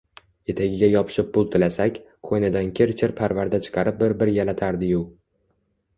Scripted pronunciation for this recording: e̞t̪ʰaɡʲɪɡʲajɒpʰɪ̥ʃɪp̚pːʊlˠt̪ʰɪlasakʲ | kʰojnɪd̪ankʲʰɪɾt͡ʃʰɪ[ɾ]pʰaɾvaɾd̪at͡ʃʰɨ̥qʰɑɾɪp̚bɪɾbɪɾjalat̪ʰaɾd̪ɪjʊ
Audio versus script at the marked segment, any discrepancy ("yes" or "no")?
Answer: no